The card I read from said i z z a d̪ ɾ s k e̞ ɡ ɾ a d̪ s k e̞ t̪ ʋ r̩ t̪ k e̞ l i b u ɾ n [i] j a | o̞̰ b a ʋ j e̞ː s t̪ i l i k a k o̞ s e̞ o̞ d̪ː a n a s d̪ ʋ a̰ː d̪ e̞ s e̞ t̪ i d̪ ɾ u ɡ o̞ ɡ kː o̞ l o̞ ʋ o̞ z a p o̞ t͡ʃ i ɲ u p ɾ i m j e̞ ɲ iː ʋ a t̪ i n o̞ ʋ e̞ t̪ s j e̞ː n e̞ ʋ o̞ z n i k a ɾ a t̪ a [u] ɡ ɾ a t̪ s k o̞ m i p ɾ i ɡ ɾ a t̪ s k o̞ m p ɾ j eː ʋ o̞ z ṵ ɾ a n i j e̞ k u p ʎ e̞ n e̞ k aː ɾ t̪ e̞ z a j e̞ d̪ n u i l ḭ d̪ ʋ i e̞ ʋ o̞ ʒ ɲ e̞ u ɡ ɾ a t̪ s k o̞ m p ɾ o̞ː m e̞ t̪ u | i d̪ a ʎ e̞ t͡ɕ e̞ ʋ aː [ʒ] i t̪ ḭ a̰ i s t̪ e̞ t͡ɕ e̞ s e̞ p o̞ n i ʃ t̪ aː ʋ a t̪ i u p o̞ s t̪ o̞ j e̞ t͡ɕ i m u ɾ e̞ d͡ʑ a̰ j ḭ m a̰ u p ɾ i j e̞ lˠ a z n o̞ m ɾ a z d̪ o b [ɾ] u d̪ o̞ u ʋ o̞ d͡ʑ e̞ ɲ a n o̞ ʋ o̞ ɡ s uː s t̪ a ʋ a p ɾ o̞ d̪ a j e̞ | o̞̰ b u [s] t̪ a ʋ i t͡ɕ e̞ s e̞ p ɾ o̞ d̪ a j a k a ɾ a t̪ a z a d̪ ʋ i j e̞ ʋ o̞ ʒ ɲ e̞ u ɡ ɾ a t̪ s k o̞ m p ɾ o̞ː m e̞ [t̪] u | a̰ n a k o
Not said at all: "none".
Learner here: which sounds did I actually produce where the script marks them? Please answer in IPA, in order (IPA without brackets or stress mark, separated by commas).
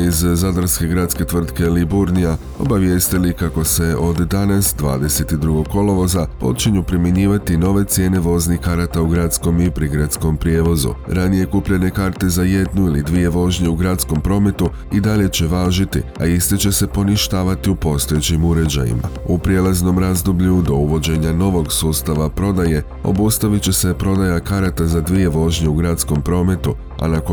i, u, ʒ, ʎ, s, t̪